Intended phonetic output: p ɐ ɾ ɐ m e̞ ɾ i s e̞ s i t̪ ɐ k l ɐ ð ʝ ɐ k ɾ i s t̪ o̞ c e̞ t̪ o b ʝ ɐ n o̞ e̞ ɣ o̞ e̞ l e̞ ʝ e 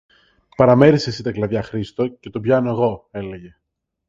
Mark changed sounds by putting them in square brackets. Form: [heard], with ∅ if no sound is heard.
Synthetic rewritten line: p ɐ ɾ ɐ m e̞ ɾ i s e̞ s i t̪ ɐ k l ɐ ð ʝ ɐ [x] ɾ i s t̪ o̞ c e̞ t̪ o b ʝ ɐ n o̞ e̞ ɣ o̞ e̞ l e̞ ʝ e